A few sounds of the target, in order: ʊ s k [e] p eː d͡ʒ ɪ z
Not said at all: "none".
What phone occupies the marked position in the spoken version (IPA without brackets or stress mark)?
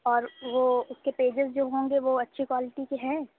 e